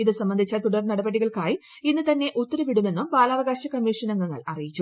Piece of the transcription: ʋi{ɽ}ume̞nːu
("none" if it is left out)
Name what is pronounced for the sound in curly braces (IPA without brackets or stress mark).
ɽ